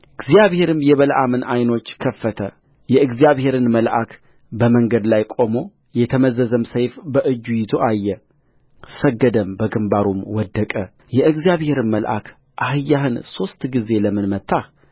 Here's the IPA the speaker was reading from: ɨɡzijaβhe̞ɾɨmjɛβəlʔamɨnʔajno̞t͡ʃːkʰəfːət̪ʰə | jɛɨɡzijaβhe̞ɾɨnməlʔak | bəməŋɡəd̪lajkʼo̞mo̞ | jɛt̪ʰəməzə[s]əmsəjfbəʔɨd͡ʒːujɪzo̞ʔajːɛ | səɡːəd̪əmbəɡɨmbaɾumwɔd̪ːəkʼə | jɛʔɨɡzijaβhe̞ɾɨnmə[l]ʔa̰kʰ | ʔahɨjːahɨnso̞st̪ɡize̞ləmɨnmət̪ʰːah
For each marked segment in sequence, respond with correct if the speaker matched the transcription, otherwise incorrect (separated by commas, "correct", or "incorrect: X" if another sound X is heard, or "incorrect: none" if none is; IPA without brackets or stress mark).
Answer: incorrect: z, correct